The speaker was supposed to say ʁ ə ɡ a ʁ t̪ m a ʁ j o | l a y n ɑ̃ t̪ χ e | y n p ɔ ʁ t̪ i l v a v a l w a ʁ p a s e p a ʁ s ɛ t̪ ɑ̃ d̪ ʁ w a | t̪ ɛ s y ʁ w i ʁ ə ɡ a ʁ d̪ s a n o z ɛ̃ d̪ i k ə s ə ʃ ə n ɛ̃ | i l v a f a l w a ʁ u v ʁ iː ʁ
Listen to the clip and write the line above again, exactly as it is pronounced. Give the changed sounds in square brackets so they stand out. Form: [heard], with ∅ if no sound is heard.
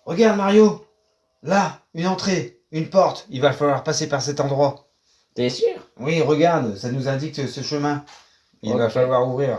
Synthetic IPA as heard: ʁ ə ɡ a ʁ [d̪] m a ʁ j o | l a y n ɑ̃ t̪ χ e | y n p ɔ ʁ t̪ i l v a [f] a l w a ʁ p a s e p a ʁ s ɛ t̪ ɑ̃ d̪ ʁ w a | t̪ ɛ s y ʁ w i ʁ ə ɡ a ʁ d̪ s a n [u] z ɛ̃ d̪ i k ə s ə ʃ ə [m] ɛ̃ | i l v a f a l w a ʁ u v ʁ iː ʁ